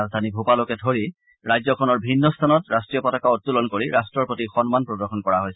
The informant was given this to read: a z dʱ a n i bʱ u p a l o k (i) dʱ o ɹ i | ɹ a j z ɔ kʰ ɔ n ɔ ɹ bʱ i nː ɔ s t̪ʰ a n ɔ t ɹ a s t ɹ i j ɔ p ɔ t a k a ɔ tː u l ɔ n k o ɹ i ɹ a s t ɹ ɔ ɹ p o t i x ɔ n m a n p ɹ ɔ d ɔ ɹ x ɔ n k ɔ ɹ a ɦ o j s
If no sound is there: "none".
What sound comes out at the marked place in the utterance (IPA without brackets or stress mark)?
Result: ɛ